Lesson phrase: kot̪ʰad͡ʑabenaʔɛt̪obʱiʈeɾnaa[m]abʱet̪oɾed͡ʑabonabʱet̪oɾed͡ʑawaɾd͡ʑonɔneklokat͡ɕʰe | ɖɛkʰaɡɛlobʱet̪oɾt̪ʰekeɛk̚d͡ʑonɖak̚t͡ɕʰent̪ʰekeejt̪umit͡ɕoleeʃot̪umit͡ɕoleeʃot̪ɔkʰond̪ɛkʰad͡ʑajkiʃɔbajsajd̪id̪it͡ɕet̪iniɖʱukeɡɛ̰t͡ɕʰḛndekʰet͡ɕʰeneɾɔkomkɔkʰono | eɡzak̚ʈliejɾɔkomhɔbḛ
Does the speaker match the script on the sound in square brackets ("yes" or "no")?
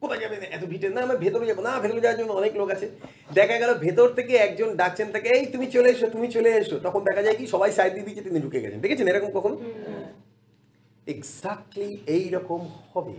yes